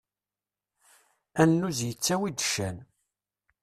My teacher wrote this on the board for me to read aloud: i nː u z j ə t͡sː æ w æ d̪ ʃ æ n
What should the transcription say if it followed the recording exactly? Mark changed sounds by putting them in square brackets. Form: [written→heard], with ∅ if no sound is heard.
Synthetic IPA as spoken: [i→æ] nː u z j ə t͡sː æ w [æ→i] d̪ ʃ æ n

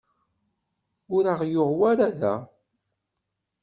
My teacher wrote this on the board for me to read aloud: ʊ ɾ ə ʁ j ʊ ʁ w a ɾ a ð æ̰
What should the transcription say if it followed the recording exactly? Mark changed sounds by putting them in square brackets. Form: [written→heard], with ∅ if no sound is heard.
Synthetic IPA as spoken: ʊ ɾ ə ʁ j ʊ ʁ w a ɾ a ð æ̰

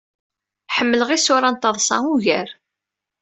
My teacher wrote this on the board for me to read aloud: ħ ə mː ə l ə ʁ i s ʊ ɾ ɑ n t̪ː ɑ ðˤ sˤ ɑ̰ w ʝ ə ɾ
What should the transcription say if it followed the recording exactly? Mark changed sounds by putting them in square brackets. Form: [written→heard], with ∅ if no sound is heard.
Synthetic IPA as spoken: ħ ə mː ə l ə ʁ i s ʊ ɾ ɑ n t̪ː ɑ ðˤ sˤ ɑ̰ [w→u] ʝ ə ɾ

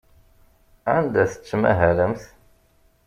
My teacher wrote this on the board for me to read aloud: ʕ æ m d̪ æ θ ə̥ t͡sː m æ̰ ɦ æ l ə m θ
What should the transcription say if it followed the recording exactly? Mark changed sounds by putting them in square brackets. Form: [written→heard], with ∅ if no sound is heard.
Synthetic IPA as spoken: ʕ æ [m→n] d̪ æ θ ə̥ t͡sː m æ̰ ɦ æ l ə m θ

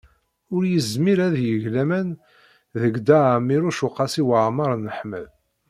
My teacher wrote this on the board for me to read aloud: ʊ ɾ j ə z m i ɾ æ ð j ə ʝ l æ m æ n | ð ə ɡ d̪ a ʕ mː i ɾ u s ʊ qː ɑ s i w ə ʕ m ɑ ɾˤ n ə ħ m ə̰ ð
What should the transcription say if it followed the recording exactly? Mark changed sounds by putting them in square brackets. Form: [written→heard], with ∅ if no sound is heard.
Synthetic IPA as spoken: ʊ ɾ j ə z m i ɾ æ ð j ə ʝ l æ m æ n | ð ə ɡ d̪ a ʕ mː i ɾ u [s→ʃ] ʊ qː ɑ s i w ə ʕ m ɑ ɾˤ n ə ħ m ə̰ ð

